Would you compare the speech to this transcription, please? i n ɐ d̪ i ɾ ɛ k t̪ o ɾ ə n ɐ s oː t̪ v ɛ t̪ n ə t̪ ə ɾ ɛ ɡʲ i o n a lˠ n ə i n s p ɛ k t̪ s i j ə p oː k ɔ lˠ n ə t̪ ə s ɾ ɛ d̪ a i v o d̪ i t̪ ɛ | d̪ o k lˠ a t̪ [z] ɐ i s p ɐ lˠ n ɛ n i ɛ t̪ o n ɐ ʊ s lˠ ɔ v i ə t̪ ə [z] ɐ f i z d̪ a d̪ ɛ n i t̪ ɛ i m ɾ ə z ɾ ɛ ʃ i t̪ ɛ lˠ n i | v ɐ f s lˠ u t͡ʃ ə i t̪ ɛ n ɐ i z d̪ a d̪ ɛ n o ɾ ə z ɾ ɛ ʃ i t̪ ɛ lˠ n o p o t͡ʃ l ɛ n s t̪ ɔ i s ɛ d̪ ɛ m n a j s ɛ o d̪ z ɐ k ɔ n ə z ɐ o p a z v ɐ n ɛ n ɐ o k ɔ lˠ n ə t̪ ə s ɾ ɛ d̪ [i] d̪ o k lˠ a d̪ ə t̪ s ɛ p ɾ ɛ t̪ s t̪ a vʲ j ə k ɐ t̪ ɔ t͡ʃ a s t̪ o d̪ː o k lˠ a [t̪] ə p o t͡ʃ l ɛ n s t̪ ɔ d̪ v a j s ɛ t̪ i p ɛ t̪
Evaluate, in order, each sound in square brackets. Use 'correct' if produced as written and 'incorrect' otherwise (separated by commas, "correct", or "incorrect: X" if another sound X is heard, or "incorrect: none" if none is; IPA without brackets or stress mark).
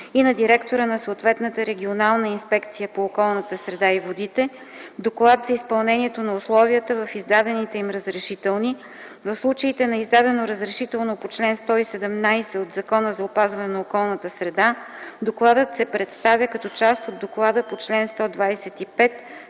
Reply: correct, incorrect: v, incorrect: a, incorrect: d̪